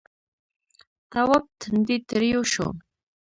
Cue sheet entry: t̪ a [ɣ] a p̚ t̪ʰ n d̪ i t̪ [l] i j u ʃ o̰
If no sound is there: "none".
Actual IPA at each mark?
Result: w, ɾ

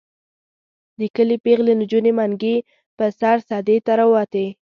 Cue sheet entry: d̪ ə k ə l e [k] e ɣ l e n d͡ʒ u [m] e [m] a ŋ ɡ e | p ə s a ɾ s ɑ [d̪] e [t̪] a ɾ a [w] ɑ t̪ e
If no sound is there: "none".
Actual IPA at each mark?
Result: p, n, m, d̪, t̪, w

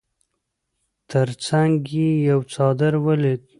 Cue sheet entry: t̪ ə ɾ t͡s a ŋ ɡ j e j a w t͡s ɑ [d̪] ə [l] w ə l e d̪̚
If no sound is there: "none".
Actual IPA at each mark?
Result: d̪, ɾ

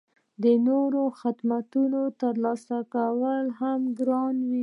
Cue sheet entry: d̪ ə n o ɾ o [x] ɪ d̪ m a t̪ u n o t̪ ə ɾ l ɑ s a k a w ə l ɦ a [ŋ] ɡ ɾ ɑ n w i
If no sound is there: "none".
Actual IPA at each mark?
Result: x, m

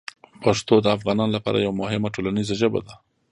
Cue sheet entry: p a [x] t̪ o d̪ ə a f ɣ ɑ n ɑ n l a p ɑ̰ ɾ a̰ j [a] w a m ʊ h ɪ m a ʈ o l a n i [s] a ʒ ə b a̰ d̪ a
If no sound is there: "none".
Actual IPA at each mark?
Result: ʂ, a, z

